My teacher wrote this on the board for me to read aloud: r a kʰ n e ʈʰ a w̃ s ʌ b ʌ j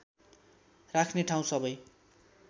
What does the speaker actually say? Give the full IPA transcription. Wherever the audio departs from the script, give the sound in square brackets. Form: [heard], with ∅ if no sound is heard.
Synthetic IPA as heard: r a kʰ n e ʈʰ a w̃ s ʌ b ʌ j